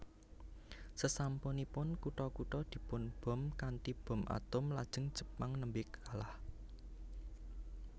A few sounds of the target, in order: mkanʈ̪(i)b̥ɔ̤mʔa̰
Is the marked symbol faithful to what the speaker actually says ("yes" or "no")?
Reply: yes